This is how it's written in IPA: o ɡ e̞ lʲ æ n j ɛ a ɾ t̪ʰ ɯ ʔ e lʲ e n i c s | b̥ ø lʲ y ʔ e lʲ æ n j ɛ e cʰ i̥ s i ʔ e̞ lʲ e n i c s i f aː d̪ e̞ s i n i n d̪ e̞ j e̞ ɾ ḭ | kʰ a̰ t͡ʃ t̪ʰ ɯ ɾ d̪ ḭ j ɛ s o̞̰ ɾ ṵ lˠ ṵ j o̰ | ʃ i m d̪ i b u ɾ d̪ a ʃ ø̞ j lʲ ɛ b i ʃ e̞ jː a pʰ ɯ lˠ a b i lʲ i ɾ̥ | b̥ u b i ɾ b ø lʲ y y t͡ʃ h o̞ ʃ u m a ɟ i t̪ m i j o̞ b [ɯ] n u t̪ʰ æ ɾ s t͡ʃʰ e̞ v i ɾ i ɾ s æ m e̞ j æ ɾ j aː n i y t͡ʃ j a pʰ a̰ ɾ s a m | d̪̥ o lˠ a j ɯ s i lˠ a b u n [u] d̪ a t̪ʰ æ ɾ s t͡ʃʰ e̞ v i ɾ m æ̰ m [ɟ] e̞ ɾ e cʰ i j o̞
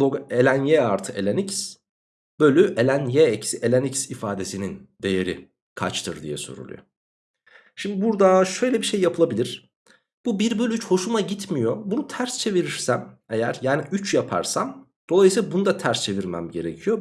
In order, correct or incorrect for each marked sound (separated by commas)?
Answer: incorrect, correct, correct